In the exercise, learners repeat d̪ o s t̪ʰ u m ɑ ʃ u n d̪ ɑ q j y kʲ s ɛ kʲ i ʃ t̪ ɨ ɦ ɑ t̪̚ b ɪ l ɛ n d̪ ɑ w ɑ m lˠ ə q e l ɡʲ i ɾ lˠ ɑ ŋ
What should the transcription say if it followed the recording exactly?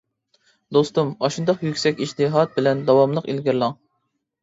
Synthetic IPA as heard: d̪ o s t̪ u m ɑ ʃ u n d̪ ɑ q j y kʲ s ɛ kʲ i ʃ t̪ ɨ ɦ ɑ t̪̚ b ɪ l ɛ n d̪ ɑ w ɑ m lˠ ə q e l ɡʲ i ɾ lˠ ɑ ŋ